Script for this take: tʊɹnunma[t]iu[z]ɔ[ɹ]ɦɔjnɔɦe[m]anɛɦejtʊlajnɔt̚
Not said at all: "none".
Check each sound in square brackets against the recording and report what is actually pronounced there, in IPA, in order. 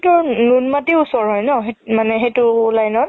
t, s, ɹ, m

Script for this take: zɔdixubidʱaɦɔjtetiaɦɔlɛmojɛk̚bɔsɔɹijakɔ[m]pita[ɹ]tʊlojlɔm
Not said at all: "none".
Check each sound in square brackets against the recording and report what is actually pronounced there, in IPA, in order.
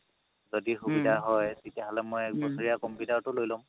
m, ɹ

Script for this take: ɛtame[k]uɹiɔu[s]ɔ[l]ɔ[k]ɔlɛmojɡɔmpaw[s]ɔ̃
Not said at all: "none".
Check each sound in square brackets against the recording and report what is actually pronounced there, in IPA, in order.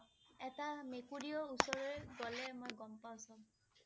k, s, ɹ, ɡ, s

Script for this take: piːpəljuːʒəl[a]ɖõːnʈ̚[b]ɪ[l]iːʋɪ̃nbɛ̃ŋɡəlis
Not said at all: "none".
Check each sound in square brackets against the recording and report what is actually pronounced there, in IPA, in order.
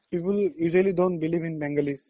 i, b, l

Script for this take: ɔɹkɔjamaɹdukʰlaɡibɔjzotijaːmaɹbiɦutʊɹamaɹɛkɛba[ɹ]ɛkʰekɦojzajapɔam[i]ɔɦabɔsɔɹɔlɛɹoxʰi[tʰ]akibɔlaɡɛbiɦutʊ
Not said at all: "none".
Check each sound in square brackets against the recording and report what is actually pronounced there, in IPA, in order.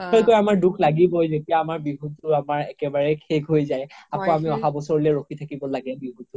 ɹ, i, tʰ

